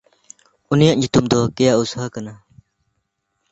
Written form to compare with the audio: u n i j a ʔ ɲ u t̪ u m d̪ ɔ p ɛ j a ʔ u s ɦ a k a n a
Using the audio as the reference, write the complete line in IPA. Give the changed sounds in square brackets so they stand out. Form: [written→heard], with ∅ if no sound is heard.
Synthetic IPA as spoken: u n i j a ʔ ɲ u t̪ u m d̪ ɔ [p→k] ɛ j a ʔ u s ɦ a k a n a